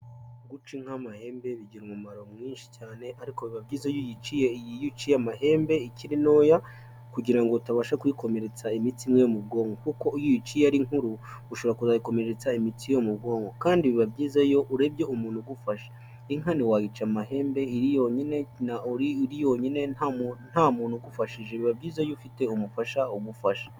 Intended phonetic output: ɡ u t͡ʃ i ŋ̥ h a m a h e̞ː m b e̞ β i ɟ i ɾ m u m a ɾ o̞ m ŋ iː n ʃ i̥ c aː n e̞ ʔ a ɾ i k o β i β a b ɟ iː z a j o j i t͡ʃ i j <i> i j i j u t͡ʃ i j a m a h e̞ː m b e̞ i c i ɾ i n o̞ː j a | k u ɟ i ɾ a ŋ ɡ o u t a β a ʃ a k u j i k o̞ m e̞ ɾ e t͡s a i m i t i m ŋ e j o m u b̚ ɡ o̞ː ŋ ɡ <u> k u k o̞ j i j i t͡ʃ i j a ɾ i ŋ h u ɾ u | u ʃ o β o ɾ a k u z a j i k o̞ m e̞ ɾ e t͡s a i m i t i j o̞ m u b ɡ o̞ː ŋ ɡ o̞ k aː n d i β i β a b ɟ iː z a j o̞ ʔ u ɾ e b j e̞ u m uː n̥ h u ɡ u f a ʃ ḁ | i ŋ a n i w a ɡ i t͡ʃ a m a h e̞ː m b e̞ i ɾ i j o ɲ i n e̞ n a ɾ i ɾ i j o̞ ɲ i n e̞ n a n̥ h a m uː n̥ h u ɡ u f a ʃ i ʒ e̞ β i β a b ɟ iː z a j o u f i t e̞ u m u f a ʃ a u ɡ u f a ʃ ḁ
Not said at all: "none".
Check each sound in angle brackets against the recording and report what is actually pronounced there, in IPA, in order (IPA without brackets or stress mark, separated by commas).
e, o